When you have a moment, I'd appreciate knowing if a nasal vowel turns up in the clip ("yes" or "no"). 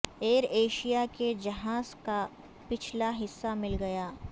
no